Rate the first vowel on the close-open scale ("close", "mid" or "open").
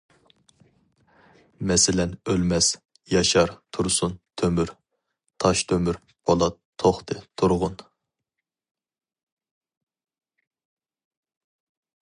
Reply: mid